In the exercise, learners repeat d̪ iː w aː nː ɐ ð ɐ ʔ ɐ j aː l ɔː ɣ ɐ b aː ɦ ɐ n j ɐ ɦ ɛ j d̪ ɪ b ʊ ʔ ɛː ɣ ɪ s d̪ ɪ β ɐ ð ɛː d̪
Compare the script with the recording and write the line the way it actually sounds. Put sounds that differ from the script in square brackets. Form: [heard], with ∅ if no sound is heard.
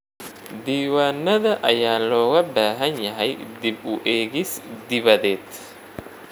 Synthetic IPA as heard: d̪ iː w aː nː ɐ ð ɐ ʔ ɐ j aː l ɔː ɣ ɐ b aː ɦ ɐ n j ɐ ɦ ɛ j d̪ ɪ b ʊ ʔ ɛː ɣ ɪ s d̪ ɪ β ɐ ð ɛː d̪